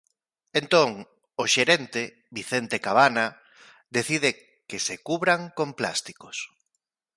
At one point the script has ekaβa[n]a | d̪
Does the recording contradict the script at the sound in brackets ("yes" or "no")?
no